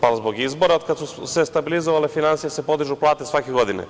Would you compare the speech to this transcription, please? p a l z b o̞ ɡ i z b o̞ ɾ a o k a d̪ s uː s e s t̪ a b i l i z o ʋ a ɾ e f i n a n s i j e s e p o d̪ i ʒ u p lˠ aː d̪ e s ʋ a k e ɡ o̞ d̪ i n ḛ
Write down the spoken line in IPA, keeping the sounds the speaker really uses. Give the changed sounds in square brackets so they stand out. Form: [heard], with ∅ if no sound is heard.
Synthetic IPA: p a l z b o̞ ɡ i z b o̞ ɾ a o k a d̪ s [u] s e s t̪ a b i l i z o ʋ a [l] e f i n a n s i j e s e p o d̪ i ʒ u p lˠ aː [t̪] e s ʋ a k e ɡ o̞ d̪ i n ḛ